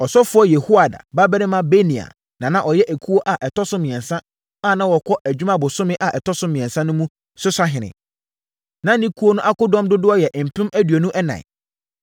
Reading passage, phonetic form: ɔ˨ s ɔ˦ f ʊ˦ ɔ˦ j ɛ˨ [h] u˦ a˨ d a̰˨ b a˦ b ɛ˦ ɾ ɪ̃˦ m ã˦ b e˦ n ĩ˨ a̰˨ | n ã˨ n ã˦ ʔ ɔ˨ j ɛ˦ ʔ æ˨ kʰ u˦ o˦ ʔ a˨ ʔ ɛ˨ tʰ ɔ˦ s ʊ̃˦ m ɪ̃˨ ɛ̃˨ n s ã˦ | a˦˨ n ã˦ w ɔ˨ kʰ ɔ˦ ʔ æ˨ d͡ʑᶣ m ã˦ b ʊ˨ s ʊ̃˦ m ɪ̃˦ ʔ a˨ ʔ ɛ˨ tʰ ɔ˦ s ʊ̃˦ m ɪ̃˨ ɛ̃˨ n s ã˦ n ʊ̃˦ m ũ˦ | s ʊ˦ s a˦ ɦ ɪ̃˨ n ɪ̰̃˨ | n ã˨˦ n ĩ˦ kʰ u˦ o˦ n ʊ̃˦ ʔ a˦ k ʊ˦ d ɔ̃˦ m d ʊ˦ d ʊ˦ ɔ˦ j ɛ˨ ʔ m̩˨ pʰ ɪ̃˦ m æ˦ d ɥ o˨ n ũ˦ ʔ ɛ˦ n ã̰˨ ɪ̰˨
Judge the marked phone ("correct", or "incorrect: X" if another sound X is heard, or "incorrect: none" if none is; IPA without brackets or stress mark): correct